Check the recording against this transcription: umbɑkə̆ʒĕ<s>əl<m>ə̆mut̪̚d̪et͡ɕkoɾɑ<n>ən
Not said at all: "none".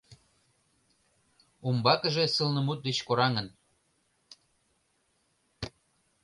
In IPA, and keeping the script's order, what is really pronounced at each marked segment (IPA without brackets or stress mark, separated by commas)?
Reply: s, n, ŋ